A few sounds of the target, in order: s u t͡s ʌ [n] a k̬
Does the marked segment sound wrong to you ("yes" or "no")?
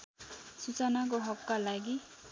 no